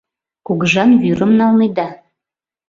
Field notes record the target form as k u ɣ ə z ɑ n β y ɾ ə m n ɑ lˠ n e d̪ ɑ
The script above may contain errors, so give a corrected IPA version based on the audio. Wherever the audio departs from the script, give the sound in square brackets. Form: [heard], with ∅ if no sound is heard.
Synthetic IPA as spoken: k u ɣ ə [ʒ] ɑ n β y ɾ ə m n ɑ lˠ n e d̪ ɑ